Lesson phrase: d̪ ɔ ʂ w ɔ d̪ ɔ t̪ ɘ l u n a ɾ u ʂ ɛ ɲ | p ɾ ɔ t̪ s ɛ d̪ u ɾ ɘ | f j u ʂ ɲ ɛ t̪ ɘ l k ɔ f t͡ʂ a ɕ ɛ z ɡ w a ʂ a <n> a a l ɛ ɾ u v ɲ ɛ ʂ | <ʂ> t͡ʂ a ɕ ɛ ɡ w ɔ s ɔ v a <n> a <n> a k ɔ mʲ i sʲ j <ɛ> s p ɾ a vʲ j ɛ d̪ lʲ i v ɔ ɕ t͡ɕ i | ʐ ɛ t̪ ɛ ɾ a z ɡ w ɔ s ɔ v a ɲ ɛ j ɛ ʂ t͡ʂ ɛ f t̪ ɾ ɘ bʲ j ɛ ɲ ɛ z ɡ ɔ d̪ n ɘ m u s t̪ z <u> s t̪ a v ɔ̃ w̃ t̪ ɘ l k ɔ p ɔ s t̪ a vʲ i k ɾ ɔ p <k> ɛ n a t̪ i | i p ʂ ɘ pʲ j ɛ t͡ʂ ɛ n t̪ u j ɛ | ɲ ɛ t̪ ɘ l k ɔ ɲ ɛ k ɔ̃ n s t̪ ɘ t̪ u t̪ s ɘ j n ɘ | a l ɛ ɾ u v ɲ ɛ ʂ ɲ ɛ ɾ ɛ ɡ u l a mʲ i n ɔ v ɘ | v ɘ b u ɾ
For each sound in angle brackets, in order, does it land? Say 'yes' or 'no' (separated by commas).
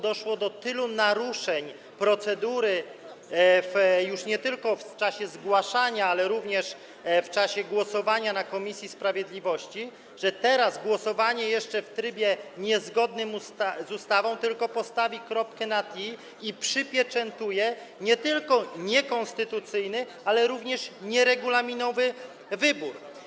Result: no, no, no, yes, no, yes, yes